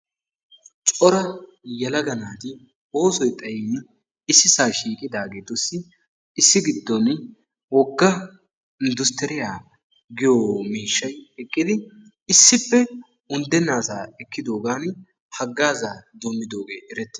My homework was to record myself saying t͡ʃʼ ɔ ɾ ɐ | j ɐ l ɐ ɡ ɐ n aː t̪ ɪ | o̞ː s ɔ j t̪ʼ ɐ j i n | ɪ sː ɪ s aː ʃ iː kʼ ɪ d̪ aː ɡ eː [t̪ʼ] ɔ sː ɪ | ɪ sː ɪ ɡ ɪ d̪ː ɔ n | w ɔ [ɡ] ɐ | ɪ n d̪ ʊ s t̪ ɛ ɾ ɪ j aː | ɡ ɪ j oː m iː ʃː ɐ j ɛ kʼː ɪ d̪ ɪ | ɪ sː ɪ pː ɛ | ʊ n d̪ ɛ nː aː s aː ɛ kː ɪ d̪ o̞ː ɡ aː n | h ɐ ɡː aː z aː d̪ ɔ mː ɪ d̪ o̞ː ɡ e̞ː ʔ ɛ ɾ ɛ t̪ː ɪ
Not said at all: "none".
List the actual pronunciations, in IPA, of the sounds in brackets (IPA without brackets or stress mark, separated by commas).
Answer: t̪, ɡː